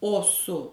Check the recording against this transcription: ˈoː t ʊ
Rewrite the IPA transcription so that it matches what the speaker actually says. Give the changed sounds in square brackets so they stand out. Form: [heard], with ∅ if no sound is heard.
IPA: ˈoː [s] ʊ